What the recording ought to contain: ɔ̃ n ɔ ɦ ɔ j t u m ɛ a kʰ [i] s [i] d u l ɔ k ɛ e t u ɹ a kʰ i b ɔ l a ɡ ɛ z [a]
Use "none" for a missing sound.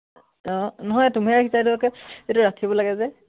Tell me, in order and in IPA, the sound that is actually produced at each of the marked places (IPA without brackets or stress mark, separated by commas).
i, a, ɛ